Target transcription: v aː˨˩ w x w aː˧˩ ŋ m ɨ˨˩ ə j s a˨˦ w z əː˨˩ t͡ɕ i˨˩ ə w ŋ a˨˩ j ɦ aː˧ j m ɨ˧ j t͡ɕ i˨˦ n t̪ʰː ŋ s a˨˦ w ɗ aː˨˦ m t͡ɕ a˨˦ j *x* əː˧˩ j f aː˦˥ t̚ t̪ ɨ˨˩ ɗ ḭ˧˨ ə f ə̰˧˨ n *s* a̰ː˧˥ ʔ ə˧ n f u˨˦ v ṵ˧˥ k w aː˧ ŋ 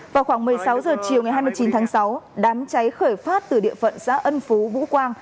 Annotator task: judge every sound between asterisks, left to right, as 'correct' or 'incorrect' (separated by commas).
correct, correct